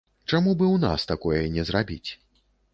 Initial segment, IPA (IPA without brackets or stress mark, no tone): t͡ʂ